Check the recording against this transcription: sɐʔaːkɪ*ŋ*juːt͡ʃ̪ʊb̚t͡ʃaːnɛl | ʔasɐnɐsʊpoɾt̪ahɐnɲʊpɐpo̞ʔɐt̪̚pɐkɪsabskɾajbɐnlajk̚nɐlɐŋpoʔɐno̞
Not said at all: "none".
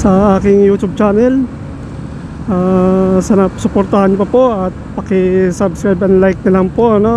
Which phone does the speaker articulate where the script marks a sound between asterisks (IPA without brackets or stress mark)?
ŋ